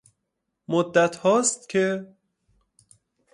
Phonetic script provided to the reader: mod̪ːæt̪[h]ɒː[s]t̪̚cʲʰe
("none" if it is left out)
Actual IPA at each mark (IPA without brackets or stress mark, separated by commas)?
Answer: h, s